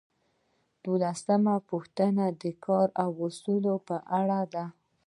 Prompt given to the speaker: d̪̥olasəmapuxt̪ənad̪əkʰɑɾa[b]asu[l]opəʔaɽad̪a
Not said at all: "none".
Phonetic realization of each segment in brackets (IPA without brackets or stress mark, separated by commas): w, l